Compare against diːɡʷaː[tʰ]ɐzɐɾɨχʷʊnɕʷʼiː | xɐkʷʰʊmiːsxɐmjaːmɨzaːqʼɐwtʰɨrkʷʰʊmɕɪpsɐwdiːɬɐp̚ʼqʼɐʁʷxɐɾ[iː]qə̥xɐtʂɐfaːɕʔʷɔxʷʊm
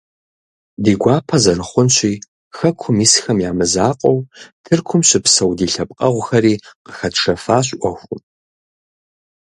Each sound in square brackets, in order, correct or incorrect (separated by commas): incorrect, correct